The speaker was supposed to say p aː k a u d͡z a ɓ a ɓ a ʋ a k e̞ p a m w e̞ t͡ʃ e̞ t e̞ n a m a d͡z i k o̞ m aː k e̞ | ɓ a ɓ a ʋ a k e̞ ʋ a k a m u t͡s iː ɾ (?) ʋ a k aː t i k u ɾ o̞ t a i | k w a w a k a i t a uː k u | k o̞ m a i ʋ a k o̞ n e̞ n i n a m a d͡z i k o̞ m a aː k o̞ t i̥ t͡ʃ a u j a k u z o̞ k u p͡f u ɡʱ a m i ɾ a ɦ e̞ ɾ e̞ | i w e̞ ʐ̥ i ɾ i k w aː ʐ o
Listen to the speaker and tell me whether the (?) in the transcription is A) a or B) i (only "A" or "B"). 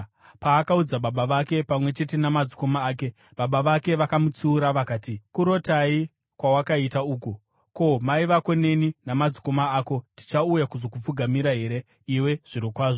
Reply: A